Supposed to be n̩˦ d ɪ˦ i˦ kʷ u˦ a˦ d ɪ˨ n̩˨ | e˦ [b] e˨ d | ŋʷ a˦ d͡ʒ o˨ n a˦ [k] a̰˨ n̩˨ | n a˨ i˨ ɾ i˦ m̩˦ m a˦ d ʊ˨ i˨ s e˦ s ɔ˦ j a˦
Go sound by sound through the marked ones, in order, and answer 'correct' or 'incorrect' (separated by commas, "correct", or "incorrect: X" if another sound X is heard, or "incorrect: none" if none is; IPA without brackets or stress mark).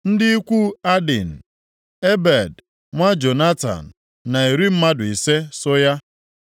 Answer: correct, incorrect: t